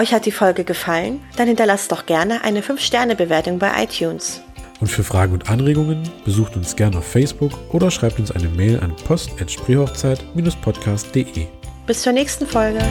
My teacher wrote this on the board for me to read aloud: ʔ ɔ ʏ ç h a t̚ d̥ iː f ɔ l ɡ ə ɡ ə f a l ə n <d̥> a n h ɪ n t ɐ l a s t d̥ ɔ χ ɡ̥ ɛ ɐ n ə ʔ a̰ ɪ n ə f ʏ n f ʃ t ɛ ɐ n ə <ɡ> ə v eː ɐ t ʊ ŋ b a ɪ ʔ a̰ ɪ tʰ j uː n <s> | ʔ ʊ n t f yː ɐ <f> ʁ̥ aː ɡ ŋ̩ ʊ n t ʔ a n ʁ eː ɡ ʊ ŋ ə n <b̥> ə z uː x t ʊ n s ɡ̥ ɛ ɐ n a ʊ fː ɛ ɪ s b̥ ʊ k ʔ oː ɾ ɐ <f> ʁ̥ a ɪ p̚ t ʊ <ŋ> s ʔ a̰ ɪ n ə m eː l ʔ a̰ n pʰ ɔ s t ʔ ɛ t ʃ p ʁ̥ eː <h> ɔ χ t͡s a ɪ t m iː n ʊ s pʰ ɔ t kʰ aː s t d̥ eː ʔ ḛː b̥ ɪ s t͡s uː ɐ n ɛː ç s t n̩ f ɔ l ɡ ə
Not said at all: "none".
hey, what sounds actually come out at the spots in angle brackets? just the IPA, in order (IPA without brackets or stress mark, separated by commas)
d̥, b, s, f, b̥, ʃ, n, h